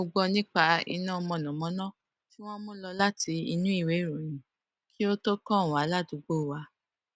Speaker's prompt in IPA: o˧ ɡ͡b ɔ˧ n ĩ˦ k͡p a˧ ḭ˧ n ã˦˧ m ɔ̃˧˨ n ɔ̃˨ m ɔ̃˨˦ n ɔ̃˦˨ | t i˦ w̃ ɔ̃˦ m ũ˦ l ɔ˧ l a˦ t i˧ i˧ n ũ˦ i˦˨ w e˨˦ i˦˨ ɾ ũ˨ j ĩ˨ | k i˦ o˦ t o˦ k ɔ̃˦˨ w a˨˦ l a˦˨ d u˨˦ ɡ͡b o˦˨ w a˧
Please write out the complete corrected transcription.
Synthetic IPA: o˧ ɡ͡b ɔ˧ n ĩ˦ k͡p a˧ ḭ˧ n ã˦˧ m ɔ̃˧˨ n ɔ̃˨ m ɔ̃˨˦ n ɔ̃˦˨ | t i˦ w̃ ɔ̃˦ m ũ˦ l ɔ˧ l a˦ t i˧ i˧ n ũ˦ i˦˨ w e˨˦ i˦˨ ɾ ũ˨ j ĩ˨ | k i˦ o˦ t o˦ k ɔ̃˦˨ w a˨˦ l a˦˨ d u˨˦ ɡ͡b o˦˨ w a˧